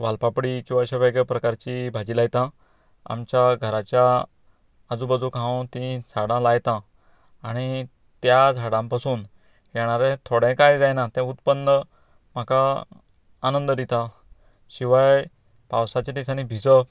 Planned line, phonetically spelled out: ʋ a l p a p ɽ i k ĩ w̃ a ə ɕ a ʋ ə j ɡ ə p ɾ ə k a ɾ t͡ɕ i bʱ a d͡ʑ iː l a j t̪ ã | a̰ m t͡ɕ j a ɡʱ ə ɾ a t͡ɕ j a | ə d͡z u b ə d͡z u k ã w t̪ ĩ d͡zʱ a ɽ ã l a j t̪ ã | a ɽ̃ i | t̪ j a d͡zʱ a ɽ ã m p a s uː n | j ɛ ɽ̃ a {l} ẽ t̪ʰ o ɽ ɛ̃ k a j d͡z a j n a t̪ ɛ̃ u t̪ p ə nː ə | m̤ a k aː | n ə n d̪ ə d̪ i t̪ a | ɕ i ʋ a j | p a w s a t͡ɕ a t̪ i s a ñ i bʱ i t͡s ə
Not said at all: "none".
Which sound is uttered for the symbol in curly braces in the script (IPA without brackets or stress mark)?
ɾ